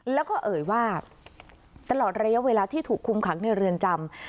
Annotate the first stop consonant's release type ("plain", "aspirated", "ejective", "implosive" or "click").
plain